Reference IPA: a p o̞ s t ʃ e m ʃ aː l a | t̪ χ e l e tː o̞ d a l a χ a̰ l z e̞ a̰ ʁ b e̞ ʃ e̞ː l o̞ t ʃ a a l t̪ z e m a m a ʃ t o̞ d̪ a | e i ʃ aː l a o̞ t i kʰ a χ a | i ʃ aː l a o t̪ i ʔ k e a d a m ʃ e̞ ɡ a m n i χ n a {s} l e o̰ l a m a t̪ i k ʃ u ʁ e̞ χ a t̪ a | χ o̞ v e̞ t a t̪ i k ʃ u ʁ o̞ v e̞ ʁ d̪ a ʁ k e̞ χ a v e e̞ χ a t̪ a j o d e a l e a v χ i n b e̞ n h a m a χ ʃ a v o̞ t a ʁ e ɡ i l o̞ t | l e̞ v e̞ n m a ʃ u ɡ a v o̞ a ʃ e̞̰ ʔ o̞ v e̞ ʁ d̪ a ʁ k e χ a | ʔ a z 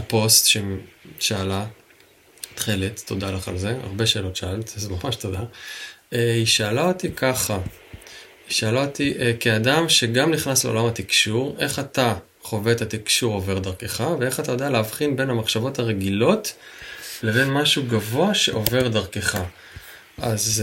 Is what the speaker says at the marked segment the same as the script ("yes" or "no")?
yes